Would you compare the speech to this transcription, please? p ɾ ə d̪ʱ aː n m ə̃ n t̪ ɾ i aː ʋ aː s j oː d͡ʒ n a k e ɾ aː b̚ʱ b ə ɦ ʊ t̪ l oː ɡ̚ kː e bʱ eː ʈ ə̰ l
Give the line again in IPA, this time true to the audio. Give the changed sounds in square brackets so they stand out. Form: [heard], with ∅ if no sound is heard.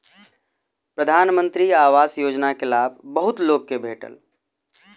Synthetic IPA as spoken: p ɾ ə d̪ʱ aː n m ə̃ n t̪ ɾ i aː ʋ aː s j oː d͡ʒ n a k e [l] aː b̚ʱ b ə ɦ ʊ t̪ l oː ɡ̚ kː e bʱ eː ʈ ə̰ l